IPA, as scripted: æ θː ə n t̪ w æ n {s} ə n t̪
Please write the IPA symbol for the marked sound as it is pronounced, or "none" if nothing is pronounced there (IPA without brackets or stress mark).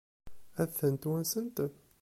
s